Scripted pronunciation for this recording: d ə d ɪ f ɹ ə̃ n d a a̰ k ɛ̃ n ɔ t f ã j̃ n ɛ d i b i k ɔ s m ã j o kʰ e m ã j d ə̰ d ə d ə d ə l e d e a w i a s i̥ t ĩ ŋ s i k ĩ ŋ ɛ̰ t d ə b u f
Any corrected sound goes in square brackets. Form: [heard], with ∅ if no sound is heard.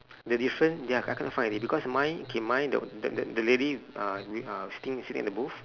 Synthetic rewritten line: d ə d [i] f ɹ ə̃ n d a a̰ k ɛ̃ n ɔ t f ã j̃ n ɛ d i b i k ɔ s m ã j o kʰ e m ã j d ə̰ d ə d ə d ə l e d [i] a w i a s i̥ t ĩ ŋ s i [t] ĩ ŋ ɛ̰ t d ə b u f